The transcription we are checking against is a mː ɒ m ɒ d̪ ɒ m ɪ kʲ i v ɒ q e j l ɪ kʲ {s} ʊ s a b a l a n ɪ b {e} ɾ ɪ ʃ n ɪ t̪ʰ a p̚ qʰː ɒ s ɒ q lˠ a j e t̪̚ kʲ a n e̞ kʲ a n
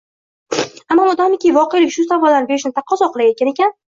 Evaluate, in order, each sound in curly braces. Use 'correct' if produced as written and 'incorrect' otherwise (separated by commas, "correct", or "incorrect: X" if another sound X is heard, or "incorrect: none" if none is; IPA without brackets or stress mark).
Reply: incorrect: ʃ, correct